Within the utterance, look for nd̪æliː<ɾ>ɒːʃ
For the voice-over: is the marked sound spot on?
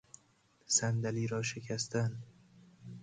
yes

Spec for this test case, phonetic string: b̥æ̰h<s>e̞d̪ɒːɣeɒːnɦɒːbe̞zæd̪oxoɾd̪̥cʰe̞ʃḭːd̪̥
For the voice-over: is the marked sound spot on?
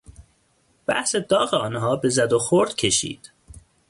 yes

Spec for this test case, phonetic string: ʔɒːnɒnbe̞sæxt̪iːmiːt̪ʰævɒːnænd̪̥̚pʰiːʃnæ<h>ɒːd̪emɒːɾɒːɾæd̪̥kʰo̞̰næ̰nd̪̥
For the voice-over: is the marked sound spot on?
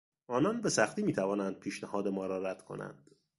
yes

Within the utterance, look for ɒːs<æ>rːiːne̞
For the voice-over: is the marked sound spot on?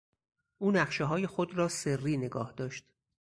no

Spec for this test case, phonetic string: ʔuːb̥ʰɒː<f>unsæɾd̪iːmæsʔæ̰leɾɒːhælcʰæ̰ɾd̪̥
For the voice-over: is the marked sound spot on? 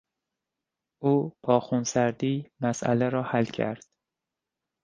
no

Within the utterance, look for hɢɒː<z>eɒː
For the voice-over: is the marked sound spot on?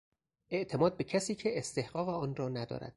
no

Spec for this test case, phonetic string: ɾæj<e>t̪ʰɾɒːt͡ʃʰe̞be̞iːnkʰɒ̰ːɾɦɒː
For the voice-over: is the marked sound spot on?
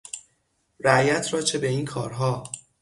no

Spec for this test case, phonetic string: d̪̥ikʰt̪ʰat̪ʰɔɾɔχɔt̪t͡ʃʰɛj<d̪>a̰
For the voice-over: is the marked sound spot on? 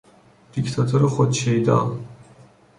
yes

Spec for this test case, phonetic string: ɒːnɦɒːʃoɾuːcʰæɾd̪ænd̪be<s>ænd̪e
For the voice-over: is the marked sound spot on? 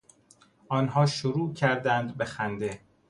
no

